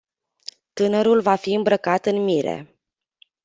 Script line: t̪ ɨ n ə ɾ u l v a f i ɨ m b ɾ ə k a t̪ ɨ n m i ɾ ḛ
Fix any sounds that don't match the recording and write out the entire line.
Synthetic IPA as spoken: t̪ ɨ n ə ɾ u l v a f i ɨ m b ɾ ə k a t̪ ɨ n m i ɾ ḛ